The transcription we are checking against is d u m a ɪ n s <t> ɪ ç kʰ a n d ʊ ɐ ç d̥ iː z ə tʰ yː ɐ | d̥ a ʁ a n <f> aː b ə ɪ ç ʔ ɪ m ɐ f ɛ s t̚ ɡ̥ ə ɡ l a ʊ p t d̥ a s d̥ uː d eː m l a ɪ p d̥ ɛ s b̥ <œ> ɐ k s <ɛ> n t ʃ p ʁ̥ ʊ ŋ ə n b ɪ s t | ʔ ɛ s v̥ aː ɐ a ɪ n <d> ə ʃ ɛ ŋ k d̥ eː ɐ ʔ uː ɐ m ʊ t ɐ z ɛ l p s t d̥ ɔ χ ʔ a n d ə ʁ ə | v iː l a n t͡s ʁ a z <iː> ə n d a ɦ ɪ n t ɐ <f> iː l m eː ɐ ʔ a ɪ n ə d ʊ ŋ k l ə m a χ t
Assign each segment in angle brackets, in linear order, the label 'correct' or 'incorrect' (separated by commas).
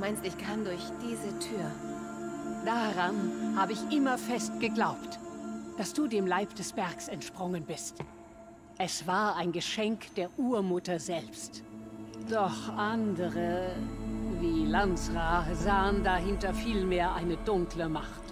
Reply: correct, incorrect, incorrect, correct, incorrect, incorrect, correct